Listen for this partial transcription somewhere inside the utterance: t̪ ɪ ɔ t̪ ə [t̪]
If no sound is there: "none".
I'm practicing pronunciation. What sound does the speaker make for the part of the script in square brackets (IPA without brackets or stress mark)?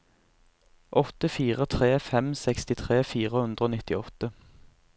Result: none